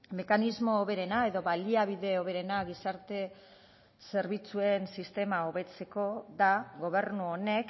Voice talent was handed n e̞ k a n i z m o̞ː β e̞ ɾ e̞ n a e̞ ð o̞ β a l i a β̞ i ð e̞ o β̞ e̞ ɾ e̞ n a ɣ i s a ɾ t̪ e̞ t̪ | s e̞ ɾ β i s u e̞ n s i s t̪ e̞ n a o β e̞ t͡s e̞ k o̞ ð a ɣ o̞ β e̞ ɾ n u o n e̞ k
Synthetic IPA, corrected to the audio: m e̞ k a n i z m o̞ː β e̞ ɾ e̞ n a e̞ ð o̞ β a l i a β̞ i ð e̞ o β̞ e̞ ɾ e̞ n a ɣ i s a ɾ t̪ e̞ | s e̞ ɾ β i t͡s u e̞ n s i s t̪ e̞ m a o β e̞ t͡s e̞ k o̞ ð a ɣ o̞ β e̞ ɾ n u o n e̞ k